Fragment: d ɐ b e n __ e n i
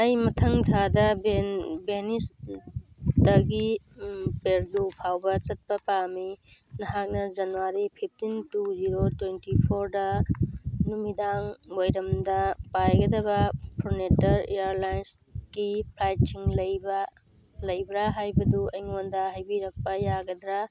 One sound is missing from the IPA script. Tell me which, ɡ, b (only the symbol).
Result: b